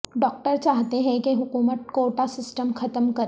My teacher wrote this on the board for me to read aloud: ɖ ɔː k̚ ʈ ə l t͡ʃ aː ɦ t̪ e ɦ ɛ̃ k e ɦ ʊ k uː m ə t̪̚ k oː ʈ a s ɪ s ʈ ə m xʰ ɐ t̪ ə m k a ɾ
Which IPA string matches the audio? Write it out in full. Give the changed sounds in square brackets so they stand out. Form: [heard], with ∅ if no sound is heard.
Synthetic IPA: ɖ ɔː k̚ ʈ ə [ɾ] t͡ʃ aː ɦ t̪ e ɦ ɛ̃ k e ɦ ʊ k uː m ə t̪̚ k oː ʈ a s ɪ s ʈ ə m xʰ ɐ t̪ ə m k [ɐ] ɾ

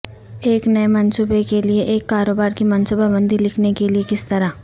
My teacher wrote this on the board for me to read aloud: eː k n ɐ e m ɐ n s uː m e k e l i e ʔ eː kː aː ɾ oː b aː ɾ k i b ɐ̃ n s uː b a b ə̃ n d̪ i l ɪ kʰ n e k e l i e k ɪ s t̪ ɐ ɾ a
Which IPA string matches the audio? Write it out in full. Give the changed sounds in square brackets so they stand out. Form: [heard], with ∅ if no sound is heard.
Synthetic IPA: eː k n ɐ e m ɐ n s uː [b] e k e l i e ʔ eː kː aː ɾ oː b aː ɾ k i [m] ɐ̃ n s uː b a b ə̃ n d̪ i l ɪ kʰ n e k e l i e k ɪ s t̪ ɐ ɾ a

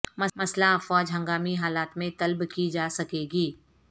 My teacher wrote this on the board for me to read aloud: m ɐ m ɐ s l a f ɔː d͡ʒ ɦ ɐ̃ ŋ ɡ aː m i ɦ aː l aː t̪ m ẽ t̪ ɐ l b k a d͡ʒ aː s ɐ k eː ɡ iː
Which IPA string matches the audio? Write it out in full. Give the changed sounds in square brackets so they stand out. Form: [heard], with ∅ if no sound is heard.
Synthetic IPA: m ɐ m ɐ s l a f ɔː d͡ʒ ɦ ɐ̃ ŋ ɡ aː m i ɦ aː l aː t̪ m ẽ t̪ ɐ l b k [i] d͡ʒ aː s ɐ k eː ɡ iː

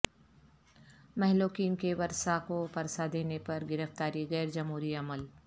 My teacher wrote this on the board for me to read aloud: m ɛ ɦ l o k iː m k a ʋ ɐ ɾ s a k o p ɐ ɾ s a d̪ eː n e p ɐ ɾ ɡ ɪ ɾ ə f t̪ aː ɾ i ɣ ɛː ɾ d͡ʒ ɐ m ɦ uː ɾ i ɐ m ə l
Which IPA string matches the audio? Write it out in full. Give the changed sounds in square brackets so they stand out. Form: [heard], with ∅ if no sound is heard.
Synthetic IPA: m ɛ ɦ l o k iː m k [e] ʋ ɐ ɾ s a k o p ɐ ɾ s a d̪ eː n e p ɐ ɾ ɡ ɪ ɾ ə f t̪ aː ɾ i ɣ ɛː ɾ d͡ʒ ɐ m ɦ uː ɾ i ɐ m ə l

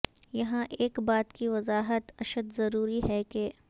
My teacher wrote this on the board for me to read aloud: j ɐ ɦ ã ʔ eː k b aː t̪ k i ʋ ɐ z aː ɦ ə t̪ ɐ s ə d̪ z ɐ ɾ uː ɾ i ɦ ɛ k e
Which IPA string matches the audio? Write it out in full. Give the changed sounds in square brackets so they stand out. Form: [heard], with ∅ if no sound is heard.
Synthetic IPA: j ɐ ɦ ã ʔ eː k b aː t̪ k i ʋ ɐ z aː ɦ ə t̪ ɐ [ʃ] ə d̪ z ɐ ɾ uː ɾ i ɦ ɛ k e

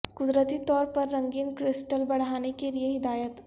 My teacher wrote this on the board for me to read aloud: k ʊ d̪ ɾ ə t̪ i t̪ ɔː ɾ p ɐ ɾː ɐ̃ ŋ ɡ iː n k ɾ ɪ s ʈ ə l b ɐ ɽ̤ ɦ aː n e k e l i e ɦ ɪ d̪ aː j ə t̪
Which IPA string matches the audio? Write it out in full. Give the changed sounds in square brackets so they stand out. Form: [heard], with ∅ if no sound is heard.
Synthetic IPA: k ʊ d̪ ɾ ə t̪ i t̪ ɔː ɾ p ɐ ɾː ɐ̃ ŋ ɡ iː n k ɾ ɪ s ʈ ə l b ɐ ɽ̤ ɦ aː n e k e l i e ɦ ɪ d̪ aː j ə t̪

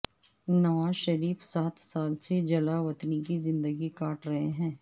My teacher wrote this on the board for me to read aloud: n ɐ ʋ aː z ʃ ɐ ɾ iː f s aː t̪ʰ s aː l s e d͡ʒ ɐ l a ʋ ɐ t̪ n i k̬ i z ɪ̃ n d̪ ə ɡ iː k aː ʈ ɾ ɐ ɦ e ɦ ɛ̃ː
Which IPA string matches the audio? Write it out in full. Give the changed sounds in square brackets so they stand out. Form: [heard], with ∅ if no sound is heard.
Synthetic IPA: n ɐ ʋ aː z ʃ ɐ ɾ iː f s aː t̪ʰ s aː l s e d͡ʒ ɐ l a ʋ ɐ t̪ n i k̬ i z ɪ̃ n d̪ ə ɡ [i] k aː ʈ ɾ ɐ ɦ e ɦ ɛ̃ː

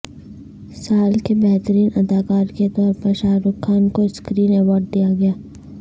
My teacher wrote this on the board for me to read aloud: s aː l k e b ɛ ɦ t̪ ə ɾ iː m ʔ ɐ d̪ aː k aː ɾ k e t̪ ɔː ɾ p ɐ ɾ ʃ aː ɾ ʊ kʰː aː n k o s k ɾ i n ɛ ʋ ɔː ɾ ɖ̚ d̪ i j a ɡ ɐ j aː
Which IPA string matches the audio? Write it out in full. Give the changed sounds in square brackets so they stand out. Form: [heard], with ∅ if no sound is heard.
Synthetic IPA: s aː l k e b ɛ ɦ t̪ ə ɾ iː [n] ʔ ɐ d̪ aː k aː ɾ k e t̪ ɔː ɾ p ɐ ɾ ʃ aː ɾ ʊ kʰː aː n k o s k ɾ [iː] n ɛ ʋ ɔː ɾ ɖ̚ d̪ i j a ɡ ɐ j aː

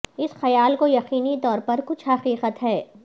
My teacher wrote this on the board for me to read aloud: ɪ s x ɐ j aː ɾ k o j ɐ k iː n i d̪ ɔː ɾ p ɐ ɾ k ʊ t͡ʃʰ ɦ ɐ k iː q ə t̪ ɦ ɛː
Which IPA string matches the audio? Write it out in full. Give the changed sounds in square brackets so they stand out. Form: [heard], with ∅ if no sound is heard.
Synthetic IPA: ɪ s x ɐ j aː [l] k o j ɐ [q] iː n i [t̪] ɔː ɾ p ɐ ɾ k ʊ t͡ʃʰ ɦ ɐ [q] iː q ə t̪ ɦ ɛː

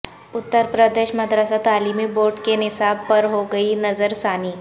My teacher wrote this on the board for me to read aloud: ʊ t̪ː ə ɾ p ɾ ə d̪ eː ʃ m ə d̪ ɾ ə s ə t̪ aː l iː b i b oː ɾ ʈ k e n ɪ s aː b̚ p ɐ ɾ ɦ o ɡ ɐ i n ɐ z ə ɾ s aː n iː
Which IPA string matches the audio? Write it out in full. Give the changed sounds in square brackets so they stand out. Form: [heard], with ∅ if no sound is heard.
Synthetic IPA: ʊ t̪ː ə ɾ p ɾ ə d̪ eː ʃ m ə d̪ ɾ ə s [a] t̪ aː l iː [m] i b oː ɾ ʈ k e n ɪ s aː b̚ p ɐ ɾ ɦ o ɡ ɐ i n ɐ z ə ɾ s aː n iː

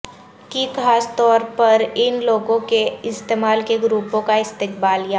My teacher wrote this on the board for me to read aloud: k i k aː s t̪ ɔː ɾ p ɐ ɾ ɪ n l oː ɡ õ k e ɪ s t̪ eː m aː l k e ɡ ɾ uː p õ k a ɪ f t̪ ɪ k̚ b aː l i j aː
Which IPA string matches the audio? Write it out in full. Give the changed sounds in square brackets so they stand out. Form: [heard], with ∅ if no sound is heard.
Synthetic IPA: k i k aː s t̪ ɔː ɾ p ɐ ɾ ɪ n l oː ɡ õ k e ɪ s t̪ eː m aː l k e ɡ ɾ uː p õ k a ɪ [s] t̪ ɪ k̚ b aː l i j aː

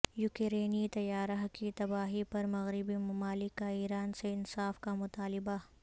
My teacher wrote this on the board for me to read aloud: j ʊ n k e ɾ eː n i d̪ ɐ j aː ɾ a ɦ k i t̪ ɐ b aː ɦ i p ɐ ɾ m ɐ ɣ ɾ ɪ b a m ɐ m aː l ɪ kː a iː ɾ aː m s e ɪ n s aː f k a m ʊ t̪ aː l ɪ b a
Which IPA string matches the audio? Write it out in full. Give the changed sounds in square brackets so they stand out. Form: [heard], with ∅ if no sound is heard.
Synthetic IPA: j ʊ [∅] k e ɾ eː n i [t̪] ɐ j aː ɾ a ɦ k i t̪ ɐ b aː ɦ i p ɐ ɾ m ɐ ɣ ɾ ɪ b [i] m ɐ m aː l ɪ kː a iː ɾ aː [n] s e ɪ n s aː f k a m ʊ t̪ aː l ɪ b a

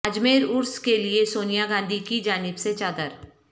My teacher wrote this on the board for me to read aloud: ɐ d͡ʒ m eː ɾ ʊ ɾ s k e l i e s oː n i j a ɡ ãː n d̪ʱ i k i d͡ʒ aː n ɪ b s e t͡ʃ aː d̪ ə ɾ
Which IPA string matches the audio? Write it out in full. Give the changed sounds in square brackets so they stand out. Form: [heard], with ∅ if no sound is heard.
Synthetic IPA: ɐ d͡ʒ m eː ɾ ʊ ɾ s k e l i e s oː n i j a ɡ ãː n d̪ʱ i k i d͡ʒ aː n ɪ b s e t͡ʃ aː d̪ ə ɾ

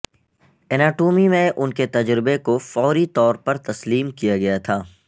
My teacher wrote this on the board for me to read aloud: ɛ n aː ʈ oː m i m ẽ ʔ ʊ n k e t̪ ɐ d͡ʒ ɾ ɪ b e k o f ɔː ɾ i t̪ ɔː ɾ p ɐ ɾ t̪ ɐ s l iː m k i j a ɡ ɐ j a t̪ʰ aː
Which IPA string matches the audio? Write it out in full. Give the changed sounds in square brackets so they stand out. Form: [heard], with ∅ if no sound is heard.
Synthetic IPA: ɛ n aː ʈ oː m i m ẽ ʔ ʊ n k e t̪ ɐ d͡ʒ ɾ ɪ b e k o f ɔː ɾ i t̪ ɔː ɾ p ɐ ɾ t̪ ɐ s l iː m k i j a ɡ ɐ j a t̪ʰ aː

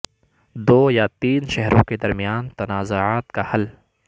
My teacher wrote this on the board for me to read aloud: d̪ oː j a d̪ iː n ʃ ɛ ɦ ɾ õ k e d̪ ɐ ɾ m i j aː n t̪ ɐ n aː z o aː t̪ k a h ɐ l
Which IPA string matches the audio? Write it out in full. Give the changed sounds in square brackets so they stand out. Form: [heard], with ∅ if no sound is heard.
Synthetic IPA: d̪ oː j a [t̪] iː n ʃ ɛ ɦ ɾ õ k e d̪ ɐ ɾ m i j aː n t̪ ɐ n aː z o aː t̪ k a h ɐ l

